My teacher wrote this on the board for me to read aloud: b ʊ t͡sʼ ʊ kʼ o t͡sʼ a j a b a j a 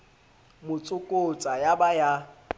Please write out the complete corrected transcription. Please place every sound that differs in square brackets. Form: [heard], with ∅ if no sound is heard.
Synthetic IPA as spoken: [m] ʊ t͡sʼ ʊ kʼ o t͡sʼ a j a b a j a